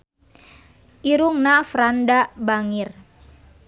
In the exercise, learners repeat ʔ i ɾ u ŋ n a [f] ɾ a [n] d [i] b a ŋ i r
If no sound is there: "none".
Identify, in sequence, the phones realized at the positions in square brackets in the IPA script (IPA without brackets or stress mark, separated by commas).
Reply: f, n, a